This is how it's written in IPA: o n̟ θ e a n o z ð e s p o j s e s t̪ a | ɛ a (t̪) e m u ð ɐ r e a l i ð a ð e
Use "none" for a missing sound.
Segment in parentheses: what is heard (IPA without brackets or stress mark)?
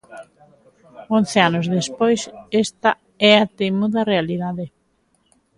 t̪